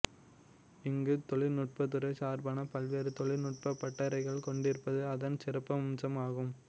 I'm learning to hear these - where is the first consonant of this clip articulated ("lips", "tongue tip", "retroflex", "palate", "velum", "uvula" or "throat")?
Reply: velum